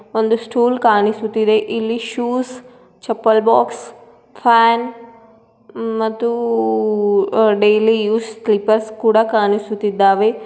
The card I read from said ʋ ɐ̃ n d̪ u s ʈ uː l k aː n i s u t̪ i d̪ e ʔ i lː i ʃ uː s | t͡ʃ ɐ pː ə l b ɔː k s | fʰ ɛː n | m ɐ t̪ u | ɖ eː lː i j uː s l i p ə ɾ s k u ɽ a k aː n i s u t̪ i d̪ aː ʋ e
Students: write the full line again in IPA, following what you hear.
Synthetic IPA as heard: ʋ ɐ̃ n d̪ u s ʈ uː l k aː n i s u t̪ i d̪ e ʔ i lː i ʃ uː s | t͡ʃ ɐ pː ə l b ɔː k s | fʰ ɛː n | m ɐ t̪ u | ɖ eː l i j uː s l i p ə ɾ s k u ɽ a k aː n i s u t̪ i d̪ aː ʋ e

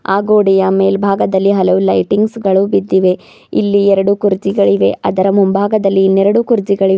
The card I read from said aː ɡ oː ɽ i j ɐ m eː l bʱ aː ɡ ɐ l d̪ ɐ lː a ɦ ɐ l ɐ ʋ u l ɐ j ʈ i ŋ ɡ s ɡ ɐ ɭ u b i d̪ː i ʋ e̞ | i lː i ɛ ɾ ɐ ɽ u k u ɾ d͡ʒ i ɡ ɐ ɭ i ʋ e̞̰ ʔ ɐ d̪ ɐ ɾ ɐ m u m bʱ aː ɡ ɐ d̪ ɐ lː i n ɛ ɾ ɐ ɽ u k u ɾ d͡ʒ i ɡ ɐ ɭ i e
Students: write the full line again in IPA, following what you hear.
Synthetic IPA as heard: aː ɡ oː ɽ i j ɐ m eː l bʱ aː ɡ ɐ d̪ ɐ lː i ɦ ɐ l ɐ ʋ u l ɐ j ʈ i ŋ ɡ s ɡ ɐ ɭ u b i d̪ː i ʋ e̞ | i lː i ɛ ɾ ɐ ɽ u k u ɾ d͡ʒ i ɡ ɐ ɭ i ʋ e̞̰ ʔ ɐ d̪ ɐ ɾ ɐ m u m bʱ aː ɡ ɐ d̪ ɐ lː i n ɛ ɾ ɐ ɽ u k u ɾ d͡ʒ i ɡ ɐ ɭ i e

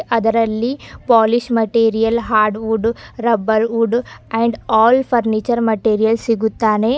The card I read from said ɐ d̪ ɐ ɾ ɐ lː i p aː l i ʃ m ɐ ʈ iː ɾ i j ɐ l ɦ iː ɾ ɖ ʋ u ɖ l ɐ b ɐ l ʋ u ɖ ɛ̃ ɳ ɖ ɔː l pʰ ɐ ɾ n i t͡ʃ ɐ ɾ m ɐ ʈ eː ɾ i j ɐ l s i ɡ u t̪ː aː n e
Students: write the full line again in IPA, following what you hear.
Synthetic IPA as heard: ɐ d̪ ɐ ɾ ɐ lː i p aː l i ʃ m ɐ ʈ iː ɾ i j ɐ l ɦ aː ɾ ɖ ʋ u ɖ ɾ ɐ b ɐ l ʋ u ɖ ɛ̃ ɳ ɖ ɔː l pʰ ɐ ɾ n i t͡ʃ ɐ ɾ m ɐ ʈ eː ɾ i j ɐ l s i ɡ u t̪ː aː n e

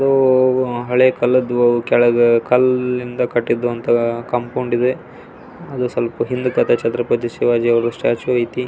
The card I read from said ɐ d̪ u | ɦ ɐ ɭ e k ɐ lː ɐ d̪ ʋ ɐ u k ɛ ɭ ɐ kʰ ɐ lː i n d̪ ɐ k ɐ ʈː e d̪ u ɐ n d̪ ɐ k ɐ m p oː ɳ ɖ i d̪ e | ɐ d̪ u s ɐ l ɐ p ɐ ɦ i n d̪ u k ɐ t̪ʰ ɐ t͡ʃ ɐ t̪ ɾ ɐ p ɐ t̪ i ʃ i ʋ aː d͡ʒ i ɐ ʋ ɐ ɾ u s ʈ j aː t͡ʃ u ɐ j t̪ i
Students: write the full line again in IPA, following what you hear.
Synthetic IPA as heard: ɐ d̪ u | ɦ ɐ ɭ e k ɐ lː ɐ d̪ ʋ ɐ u k ɛ ɭ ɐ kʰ ɐ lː i n d̪ ɐ k ɐ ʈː i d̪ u ɐ n t̪ ɐ k ɐ m p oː ɳ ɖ i d̪ e | ɐ d̪ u s ɐ l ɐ p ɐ ɦ i n d̪ u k ɐ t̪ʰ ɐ t͡ʃ ɐ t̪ ɾ ɐ p ɐ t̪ i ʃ i ʋ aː d͡ʒ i ɐ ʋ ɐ ɾ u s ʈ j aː t͡ʃ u ɐ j t̪ i

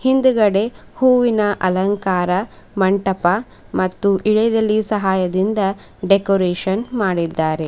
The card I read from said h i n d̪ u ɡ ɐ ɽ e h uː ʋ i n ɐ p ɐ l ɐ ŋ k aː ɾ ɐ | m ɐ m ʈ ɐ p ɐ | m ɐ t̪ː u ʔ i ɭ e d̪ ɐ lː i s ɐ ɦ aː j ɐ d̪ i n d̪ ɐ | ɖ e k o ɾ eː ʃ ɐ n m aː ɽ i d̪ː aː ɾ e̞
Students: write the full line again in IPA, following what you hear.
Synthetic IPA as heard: h i n d̪ u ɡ ɐ ɽ e h uː ʋ i n ɐ ʔ ɐ l ɐ ŋ k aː ɾ ɐ | m ɐ ɳ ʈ ɐ p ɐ | m ɐ t̪ː u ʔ i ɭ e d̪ ɐ lː i s ɐ ɦ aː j ɐ d̪ i n d̪ ɐ | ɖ e k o ɾ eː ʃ ɐ n m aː ɽ i d̪ː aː ɾ e̞

